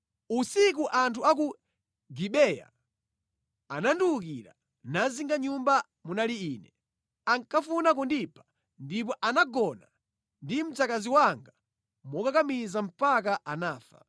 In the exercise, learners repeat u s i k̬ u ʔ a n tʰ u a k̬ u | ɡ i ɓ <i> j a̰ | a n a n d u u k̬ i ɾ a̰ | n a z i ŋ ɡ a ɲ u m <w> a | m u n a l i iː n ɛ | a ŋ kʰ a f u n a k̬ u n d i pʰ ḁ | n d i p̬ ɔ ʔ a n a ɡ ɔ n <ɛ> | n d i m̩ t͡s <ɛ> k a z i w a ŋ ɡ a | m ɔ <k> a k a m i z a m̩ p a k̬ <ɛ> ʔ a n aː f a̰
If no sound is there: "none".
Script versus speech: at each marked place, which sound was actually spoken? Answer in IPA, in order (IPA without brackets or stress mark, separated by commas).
ɛ, b, a, a, k, a